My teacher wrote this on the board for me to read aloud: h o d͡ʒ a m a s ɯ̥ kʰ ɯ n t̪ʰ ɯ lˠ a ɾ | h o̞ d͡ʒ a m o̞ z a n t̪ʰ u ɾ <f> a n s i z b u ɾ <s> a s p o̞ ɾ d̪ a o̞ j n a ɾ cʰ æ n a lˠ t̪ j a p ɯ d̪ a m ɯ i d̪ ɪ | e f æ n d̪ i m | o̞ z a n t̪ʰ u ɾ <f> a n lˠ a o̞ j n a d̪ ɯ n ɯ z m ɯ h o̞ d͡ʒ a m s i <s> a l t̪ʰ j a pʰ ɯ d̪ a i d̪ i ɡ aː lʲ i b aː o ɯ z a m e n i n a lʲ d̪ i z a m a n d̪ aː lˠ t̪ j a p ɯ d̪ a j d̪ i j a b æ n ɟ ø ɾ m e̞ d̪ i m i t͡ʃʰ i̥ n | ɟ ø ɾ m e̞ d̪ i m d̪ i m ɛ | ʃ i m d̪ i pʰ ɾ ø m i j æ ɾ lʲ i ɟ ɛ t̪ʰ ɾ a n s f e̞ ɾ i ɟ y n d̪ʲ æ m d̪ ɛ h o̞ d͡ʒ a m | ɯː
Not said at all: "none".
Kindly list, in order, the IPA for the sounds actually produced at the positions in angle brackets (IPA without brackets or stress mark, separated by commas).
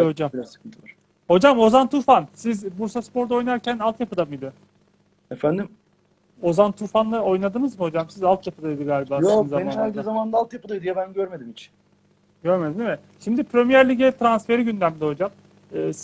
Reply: f, s, f, z